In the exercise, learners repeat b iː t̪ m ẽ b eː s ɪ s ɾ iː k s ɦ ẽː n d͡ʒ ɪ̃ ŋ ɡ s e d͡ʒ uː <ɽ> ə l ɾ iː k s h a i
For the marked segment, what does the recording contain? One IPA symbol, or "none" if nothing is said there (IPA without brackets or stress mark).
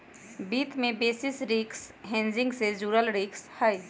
ɾ